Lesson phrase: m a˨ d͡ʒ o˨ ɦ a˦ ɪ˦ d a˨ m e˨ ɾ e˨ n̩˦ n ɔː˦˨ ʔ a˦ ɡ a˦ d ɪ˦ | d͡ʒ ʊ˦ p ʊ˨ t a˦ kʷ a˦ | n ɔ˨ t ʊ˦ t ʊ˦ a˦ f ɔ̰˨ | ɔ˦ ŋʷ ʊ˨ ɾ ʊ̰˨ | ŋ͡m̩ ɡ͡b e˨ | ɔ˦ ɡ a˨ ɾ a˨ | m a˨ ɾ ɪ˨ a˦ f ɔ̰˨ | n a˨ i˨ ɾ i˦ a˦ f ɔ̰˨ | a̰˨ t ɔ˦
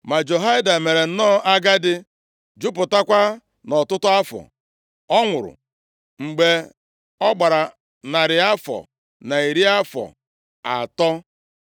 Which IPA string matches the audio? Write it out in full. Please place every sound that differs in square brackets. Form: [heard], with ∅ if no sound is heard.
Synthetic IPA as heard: m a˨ d͡ʒ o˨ ɦ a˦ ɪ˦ d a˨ m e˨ ɾ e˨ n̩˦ n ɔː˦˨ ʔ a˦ ɡ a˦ d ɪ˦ | d͡ʒ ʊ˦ p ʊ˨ t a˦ kʷ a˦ | n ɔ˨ t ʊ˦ t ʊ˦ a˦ f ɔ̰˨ | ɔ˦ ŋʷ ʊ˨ ɾ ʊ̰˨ | ŋ͡m̩ ɡ͡b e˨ | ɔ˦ [ɡ͡b] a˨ ɾ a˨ | [n] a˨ ɾ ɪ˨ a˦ f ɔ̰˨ | n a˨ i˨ ɾ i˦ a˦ f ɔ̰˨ | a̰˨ t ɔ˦